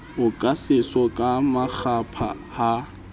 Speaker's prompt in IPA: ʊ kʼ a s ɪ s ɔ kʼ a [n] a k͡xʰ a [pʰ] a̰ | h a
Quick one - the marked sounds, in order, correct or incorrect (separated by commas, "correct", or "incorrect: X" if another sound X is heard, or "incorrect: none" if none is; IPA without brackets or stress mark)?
incorrect: m, correct